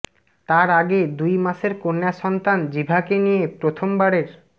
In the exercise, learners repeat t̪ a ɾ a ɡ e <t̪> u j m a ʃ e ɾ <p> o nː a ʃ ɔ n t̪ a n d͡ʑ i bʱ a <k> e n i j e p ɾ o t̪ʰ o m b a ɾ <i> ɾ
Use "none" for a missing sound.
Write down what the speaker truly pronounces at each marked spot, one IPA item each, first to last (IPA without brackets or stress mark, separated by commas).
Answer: d̪, k, k, e